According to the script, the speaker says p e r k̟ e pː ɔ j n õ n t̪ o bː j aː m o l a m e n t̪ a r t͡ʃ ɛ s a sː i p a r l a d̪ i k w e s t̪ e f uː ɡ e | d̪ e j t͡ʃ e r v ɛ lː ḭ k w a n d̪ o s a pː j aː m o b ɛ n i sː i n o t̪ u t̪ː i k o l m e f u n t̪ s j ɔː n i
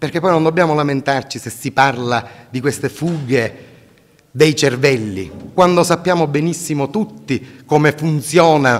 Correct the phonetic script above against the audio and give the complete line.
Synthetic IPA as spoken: p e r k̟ e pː ɔ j n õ n d̪ o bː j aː m o l a m e n t̪ a r t͡ʃ i s e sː i p a r l a d̪ i k w e s t̪ e f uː ɡ e | d̪ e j t͡ʃ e r v ɛ lː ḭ k w a n d̪ o s a pː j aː m o b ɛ n i sː i m o t̪ u t̪ː i k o m e f u n t̪ s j ɔː n a